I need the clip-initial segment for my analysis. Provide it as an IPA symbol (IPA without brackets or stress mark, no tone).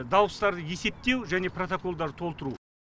d̪